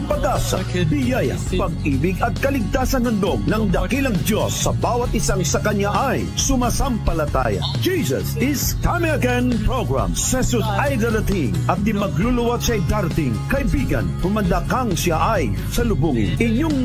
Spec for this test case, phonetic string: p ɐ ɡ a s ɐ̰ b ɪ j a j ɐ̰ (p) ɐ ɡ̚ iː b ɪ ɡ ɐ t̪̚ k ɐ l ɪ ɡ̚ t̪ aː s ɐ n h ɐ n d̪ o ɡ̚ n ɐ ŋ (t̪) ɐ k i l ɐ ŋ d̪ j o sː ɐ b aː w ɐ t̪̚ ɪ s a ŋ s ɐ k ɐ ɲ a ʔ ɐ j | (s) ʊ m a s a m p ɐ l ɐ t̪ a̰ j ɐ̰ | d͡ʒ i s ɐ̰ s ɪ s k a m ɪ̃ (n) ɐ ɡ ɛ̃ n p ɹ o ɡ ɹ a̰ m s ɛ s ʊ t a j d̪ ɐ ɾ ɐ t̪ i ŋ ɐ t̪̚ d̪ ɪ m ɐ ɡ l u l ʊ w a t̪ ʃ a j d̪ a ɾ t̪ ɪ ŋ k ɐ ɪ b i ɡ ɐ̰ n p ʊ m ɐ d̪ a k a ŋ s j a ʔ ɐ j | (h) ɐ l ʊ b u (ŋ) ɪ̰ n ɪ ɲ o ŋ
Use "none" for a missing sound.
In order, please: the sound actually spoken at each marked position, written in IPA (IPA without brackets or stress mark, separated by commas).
p, d̪, s, ŋ, s, ŋ